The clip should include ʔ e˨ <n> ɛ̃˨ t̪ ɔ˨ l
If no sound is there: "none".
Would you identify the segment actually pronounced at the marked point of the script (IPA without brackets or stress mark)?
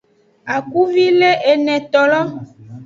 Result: n